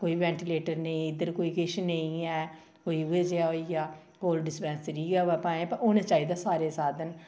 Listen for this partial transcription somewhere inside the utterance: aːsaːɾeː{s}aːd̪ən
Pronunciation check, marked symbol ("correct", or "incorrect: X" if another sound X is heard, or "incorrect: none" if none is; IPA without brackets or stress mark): correct